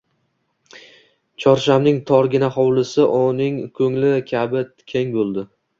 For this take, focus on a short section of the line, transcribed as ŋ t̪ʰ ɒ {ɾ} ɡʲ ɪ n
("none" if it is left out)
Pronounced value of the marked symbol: ɾ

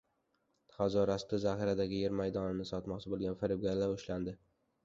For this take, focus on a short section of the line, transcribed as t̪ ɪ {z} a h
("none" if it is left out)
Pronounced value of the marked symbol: z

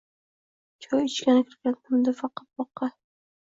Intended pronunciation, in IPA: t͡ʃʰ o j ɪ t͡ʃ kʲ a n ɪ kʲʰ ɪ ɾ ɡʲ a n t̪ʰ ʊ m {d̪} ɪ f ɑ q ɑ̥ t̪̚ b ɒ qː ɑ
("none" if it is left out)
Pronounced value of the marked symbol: d̪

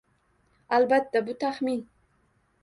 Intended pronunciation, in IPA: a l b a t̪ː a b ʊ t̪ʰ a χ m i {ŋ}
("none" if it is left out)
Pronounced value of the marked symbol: n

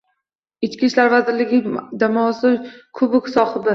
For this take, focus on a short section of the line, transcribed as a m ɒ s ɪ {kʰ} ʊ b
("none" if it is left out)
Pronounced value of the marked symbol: kʰ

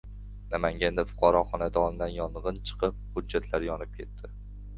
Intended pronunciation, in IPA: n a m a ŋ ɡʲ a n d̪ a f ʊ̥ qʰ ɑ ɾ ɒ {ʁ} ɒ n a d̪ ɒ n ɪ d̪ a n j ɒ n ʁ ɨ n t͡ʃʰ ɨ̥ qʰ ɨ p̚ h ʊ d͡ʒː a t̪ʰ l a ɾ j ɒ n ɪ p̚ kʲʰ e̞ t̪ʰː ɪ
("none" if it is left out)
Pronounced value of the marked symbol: χ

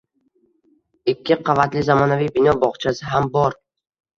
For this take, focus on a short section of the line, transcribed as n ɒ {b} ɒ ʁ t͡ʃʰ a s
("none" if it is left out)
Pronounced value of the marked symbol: b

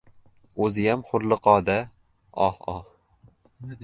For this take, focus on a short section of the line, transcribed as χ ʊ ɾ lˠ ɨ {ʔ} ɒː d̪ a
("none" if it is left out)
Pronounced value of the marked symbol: q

